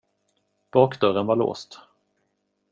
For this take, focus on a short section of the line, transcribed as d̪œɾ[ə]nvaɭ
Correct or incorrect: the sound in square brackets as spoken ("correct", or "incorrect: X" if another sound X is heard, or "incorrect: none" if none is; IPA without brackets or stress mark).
correct